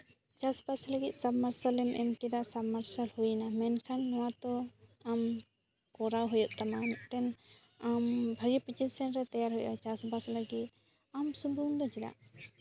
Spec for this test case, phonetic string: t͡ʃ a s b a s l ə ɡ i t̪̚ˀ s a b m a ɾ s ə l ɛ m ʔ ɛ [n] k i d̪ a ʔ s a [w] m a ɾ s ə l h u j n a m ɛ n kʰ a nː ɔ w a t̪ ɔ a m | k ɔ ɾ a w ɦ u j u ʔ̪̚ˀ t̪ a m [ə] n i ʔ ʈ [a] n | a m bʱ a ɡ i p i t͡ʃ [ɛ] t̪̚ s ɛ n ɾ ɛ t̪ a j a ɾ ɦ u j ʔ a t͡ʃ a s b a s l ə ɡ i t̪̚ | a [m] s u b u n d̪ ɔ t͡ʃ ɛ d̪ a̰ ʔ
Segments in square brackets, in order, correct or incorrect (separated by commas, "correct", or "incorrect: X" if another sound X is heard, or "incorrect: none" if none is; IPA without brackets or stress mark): incorrect: m, incorrect: b, incorrect: a, incorrect: ɛ, incorrect: i, correct